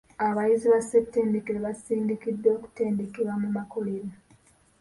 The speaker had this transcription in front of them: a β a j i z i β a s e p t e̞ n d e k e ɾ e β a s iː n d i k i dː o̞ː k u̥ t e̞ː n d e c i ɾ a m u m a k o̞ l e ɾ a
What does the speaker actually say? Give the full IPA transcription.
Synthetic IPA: a β a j i z i β a s e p t e̞ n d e k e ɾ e β a s iː n d i k i dː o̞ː k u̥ t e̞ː n d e k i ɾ a m u m a k o̞ l e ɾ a